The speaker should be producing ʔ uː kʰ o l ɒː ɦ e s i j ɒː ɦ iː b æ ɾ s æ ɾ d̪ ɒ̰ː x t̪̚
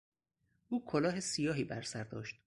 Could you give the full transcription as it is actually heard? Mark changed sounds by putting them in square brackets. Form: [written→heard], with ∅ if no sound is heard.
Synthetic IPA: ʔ uː kʰ o l ɒː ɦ e s i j ɒː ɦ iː b æ ɾ s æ ɾ d̪ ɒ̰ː [x→ʃ] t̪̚

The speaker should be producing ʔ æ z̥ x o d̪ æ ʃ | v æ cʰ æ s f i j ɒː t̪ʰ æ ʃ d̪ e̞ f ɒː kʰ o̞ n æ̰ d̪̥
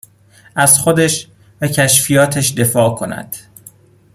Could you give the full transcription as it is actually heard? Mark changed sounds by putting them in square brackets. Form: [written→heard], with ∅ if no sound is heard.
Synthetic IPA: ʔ æ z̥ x o d̪ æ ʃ | v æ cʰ æ [s→ʃ] f i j ɒː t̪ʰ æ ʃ d̪ e̞ f ɒː kʰ o̞ n æ̰ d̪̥

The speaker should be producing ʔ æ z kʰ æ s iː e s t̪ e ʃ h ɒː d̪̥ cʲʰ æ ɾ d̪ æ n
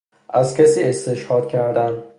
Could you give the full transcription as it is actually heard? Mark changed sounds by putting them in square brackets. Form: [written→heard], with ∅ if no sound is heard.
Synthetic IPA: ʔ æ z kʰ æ s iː e s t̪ e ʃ h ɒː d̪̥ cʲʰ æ ɾ d̪ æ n

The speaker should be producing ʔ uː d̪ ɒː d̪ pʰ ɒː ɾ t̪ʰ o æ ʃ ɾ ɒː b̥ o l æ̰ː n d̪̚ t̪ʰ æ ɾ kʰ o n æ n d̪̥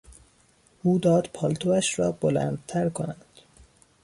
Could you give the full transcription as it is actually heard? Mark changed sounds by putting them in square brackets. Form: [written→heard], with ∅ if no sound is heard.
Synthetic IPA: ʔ uː d̪ ɒː d̪ pʰ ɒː [ɾ→l] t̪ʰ o æ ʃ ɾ ɒː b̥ o l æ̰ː n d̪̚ t̪ʰ æ ɾ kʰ o n æ n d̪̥

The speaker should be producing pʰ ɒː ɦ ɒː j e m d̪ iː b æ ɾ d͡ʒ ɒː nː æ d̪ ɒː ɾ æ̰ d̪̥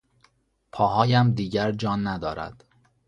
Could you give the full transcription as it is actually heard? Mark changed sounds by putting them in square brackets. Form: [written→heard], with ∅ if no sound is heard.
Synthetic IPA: pʰ ɒː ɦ ɒː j [e→æ] m d̪ iː [b→ɟ] æ ɾ d͡ʒ ɒː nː æ d̪ ɒː ɾ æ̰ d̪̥

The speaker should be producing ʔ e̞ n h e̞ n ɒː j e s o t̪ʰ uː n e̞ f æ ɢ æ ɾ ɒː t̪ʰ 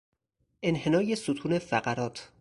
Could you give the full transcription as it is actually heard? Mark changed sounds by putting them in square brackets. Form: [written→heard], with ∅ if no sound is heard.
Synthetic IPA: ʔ e̞ n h e̞ n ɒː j e s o t̪ʰ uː n e̞ f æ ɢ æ ɾ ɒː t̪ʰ

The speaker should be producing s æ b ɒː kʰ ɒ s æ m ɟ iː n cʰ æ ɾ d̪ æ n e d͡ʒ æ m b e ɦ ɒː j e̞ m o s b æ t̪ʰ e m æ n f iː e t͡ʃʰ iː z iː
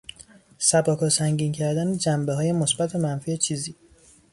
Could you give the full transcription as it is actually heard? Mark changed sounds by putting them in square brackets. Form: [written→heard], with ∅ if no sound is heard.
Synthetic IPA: s æ b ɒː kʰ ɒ s æ [m→ŋ] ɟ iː n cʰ æ ɾ d̪ æ n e d͡ʒ æ m b e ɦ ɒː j e̞ m o s b æ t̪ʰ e m æ n f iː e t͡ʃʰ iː z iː

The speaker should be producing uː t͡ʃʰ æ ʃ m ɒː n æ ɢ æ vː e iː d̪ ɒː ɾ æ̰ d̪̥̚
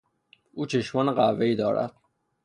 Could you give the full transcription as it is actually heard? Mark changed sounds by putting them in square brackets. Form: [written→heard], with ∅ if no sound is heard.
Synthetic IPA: uː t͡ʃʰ [æ→e] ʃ m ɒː n [æ→e] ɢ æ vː e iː d̪ ɒː ɾ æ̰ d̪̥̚

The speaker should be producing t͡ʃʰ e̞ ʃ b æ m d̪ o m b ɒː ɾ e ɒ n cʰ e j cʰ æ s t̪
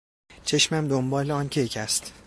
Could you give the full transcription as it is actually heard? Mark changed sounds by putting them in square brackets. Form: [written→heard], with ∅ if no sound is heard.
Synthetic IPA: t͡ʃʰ e̞ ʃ [b→m] æ m d̪ o m b ɒː [ɾ→l] e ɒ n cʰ e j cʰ æ s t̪

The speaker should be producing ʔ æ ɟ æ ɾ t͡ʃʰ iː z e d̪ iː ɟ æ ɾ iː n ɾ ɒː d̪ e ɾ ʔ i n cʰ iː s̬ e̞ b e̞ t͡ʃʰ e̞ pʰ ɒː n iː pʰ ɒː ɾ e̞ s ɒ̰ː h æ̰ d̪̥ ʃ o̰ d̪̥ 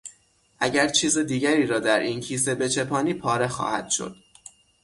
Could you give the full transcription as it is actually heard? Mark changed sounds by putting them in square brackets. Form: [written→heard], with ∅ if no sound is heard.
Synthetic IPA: ʔ æ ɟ æ ɾ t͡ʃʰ iː z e d̪ iː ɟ æ ɾ iː [n→∅] ɾ ɒː d̪ [e→æ] ɾ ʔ i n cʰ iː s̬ e̞ b e̞ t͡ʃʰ e̞ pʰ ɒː n iː pʰ ɒː ɾ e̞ [s→x] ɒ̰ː h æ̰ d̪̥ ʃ o̰ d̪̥

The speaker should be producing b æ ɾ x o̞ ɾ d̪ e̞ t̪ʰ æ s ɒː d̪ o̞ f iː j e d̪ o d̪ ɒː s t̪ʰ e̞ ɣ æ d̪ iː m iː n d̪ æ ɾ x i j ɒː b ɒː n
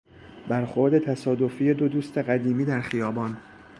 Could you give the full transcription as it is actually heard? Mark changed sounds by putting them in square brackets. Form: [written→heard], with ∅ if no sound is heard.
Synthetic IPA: b æ ɾ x o̞ ɾ d̪ e̞ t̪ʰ æ s ɒː d̪ o̞ f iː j e d̪ o d̪ [ɒː→uː] s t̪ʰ e̞ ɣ æ d̪ iː m iː [n→∅] d̪ æ ɾ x i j ɒː b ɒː n

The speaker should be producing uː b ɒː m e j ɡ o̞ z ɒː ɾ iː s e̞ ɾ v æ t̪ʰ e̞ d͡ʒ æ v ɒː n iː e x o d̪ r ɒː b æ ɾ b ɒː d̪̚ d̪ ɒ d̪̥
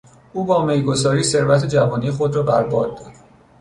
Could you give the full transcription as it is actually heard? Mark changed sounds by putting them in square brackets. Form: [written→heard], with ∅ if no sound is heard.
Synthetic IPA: uː b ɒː m e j ɡ o̞ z ɒː ɾ iː s e̞ ɾ v æ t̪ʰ e̞ d͡ʒ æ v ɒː n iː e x o d̪ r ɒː b æ ɾ b ɒː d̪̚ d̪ ɒ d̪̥

